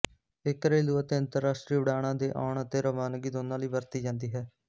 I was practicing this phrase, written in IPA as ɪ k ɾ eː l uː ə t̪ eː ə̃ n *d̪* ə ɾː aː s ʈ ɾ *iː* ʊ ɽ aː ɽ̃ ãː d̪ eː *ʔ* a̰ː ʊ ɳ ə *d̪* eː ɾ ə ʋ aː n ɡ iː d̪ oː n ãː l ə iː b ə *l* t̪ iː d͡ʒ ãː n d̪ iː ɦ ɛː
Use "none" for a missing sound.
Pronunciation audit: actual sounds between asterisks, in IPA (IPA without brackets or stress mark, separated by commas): t̪, iː, ʔ, t̪, ɾ